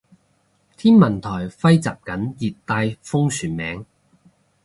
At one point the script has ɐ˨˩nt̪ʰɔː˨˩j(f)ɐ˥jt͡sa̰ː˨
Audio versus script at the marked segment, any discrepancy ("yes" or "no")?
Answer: no